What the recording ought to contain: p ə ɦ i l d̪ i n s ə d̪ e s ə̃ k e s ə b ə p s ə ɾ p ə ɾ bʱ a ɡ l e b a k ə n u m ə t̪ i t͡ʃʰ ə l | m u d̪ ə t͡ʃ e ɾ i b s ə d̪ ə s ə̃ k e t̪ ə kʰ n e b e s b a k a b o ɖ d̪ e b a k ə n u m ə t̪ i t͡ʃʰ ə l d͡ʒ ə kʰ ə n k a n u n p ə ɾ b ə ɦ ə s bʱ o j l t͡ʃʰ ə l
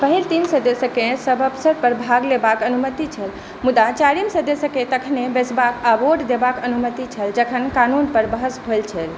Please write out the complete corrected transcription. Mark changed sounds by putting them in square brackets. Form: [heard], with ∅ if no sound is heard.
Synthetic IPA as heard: p ə ɦ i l [t̪] i n s ə d̪ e s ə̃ k e s ə b ə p s ə ɾ p ə ɾ bʱ a ɡ l e b a k ə n u m ə t̪ i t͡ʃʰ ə l | m u d̪ [a] t͡ʃ [a] ɾ i [m] s ə d̪ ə s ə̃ k e t̪ ə kʰ n e b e s b a k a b o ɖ d̪ e b a k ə n u m ə t̪ i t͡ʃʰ ə l d͡ʒ ə kʰ ə n k a n u n p ə ɾ b ə ɦ ə s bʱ o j l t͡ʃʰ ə l